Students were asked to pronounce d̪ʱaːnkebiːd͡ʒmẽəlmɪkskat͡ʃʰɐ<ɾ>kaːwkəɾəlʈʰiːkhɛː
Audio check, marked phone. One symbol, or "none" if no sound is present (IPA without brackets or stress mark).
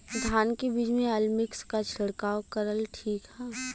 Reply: ɽ